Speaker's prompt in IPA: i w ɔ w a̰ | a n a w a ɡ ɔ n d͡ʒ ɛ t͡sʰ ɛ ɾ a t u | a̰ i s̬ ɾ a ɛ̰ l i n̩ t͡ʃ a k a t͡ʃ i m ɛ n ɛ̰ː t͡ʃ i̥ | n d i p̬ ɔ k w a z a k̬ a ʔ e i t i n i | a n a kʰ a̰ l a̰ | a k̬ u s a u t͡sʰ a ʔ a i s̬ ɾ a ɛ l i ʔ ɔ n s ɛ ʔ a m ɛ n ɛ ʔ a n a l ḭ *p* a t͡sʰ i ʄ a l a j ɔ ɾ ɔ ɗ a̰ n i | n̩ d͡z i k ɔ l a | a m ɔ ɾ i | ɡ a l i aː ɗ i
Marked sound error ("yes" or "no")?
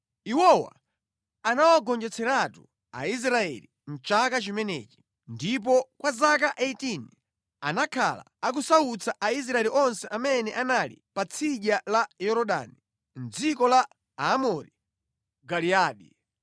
no